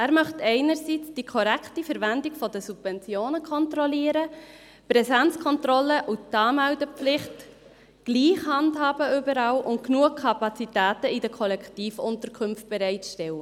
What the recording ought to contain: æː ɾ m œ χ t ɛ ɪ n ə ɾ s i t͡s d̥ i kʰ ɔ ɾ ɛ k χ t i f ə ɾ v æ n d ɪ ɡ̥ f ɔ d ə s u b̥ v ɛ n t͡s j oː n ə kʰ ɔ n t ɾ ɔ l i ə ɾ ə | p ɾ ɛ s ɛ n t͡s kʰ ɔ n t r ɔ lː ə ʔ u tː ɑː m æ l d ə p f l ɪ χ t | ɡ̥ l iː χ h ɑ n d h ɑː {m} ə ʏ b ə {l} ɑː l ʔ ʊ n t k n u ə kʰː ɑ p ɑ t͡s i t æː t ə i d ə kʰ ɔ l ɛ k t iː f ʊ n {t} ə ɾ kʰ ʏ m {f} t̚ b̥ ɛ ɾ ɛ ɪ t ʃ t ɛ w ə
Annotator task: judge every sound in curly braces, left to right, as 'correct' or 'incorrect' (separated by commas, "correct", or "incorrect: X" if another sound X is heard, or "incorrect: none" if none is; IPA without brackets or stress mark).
incorrect: b, incorrect: ɾ, correct, correct